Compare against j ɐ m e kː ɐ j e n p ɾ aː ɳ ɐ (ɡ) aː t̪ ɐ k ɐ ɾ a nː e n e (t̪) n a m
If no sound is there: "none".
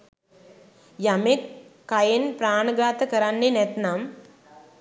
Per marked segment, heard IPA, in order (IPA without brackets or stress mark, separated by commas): ɡ, t̪